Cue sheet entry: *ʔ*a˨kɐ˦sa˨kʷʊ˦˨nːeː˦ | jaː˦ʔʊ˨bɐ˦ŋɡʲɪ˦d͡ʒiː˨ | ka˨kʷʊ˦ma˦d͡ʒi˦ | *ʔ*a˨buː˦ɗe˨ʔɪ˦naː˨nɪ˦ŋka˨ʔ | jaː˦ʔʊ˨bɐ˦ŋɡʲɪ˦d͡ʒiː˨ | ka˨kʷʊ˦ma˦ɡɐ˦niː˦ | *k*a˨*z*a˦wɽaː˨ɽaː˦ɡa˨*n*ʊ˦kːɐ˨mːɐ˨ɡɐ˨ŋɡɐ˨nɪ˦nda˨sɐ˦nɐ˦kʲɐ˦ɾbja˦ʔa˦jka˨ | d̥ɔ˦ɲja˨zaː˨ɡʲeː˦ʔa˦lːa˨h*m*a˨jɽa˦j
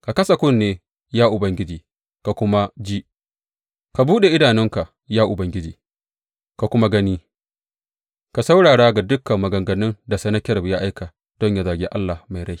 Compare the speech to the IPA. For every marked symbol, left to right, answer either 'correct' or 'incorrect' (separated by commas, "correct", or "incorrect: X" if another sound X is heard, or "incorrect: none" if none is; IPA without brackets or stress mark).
incorrect: k, incorrect: k, correct, incorrect: s, incorrect: d, correct